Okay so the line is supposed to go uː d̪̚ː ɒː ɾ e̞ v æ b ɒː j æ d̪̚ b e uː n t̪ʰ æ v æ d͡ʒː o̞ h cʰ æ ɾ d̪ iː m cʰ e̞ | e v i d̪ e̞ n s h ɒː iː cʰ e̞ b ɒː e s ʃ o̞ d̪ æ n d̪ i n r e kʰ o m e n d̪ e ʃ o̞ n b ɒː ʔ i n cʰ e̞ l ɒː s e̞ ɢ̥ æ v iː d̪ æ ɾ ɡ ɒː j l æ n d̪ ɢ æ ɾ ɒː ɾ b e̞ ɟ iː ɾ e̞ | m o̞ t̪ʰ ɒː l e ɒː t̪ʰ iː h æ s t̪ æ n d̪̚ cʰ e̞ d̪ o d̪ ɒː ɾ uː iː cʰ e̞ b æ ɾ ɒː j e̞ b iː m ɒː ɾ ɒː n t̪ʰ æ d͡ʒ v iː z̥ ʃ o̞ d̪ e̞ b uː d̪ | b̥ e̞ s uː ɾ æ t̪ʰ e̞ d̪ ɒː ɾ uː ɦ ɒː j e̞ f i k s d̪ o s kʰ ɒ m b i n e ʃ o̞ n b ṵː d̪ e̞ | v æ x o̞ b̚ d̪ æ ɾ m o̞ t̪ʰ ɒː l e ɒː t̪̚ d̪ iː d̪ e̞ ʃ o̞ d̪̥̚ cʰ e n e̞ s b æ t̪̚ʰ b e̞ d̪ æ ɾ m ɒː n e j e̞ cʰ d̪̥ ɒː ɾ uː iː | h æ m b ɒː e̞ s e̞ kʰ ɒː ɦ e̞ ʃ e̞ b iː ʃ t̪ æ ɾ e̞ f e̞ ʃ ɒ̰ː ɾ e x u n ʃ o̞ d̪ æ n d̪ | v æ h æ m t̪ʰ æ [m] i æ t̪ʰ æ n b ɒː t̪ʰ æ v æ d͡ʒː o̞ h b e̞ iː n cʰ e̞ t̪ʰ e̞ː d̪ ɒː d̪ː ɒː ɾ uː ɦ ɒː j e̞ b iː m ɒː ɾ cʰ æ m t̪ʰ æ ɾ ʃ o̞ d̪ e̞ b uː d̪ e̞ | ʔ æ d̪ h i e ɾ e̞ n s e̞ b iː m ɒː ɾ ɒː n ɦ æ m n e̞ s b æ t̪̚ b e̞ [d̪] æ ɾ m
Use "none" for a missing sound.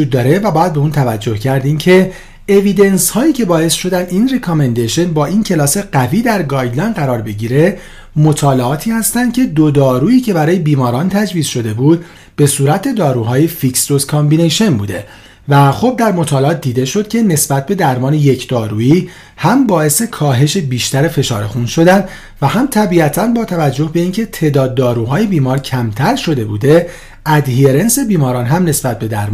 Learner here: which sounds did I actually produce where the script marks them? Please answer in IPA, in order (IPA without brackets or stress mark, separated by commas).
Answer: b, d̪